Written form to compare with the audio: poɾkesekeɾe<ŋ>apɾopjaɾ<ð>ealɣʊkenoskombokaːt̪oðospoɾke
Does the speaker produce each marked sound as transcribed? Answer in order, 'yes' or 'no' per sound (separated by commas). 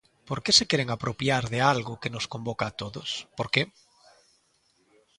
yes, yes